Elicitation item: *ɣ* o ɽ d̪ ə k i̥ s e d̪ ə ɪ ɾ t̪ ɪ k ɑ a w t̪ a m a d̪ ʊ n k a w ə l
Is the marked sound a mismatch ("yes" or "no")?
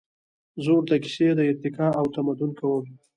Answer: yes